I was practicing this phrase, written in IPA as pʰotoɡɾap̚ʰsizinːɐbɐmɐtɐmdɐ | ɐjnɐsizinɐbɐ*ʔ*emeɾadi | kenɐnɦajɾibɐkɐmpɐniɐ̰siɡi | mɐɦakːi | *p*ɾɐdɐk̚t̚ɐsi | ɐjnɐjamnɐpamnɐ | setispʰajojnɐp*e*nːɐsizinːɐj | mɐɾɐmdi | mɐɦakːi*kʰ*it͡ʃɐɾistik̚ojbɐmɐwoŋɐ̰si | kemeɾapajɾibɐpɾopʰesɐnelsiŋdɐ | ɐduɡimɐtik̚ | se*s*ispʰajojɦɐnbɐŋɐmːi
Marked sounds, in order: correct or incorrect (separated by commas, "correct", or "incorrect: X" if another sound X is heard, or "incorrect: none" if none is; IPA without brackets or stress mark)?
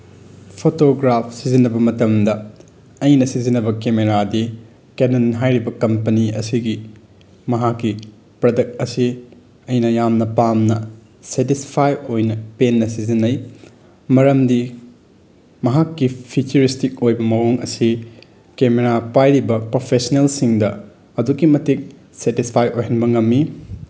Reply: incorrect: k, correct, correct, incorrect: pʰ, incorrect: t